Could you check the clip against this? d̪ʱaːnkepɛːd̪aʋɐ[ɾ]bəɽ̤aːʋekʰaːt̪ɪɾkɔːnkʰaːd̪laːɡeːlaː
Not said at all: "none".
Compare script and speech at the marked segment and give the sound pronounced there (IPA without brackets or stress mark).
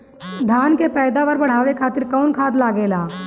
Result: ɾ